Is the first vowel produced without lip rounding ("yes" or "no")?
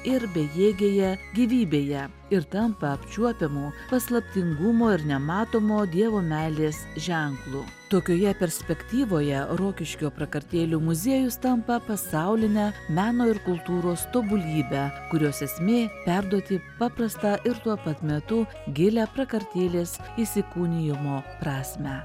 yes